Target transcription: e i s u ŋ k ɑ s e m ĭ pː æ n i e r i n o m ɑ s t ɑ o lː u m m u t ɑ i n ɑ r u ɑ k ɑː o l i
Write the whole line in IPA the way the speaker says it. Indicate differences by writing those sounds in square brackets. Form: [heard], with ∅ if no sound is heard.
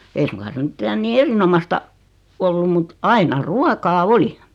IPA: e i s u ŋ k ɑ s e m ĭ [tː] æ n [iː] e r i n o m ɑ s t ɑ o lː u m m u t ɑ i n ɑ r u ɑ k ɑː o l i